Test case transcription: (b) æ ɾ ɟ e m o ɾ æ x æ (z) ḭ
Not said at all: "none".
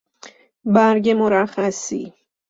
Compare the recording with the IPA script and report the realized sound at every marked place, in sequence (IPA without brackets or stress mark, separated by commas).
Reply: b, s